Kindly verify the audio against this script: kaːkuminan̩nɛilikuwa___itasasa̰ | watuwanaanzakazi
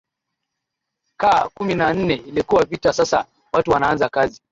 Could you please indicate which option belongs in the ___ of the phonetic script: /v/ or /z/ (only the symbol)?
v